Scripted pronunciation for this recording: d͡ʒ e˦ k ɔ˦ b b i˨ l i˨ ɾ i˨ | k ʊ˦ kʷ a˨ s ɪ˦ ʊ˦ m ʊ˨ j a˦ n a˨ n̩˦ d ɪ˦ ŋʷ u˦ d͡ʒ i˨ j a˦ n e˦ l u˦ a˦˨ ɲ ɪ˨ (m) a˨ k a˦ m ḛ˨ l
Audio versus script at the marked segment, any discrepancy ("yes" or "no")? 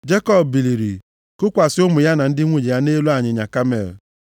yes